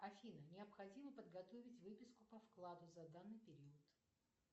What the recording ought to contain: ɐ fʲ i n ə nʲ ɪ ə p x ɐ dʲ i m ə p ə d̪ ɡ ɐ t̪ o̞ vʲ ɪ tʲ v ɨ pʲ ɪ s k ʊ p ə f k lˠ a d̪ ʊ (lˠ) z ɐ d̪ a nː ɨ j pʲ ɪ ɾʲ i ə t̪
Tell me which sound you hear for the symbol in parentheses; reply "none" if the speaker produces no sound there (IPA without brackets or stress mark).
none